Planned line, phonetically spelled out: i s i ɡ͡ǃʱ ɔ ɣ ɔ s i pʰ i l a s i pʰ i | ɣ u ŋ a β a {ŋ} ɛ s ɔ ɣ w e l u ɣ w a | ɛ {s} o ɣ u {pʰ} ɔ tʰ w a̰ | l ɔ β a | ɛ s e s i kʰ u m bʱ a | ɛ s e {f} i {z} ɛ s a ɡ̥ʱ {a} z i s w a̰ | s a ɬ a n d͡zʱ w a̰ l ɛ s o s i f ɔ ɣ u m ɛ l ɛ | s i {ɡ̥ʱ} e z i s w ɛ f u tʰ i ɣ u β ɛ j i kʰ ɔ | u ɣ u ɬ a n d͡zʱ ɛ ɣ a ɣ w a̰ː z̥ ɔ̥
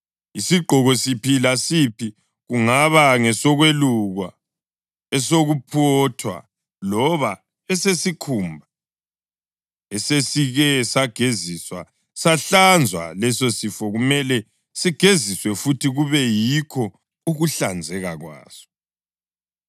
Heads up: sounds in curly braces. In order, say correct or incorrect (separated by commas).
correct, correct, correct, incorrect, incorrect, incorrect, correct